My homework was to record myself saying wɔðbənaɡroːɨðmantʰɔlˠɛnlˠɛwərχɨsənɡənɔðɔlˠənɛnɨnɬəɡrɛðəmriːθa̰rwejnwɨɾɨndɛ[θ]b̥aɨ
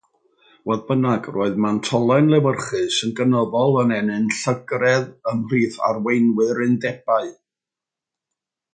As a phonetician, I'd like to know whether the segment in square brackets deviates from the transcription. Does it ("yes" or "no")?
yes